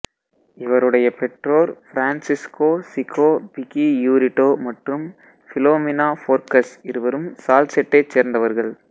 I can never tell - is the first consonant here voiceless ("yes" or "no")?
no